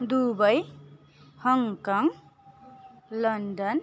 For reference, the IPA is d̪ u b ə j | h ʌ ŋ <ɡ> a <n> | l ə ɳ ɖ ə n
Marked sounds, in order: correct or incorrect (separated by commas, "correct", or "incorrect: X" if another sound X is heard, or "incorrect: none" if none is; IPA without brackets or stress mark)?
incorrect: k, incorrect: ŋ